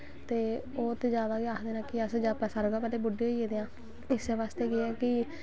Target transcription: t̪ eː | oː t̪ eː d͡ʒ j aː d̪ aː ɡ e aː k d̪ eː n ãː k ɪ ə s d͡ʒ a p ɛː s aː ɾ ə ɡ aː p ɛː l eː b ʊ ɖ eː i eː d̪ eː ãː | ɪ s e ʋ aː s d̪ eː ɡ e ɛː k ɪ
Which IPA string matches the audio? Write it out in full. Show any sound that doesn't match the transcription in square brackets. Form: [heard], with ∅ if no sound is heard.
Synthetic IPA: t̪ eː | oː t̪ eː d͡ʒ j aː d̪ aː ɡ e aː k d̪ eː n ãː k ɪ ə s d͡ʒ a p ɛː s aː ɾ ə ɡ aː p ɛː l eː b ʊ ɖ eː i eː d̪ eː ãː | ɪ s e ʋ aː s [t̪] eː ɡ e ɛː k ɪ